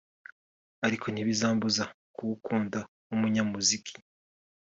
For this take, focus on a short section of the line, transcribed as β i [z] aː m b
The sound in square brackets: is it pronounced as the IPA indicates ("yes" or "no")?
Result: yes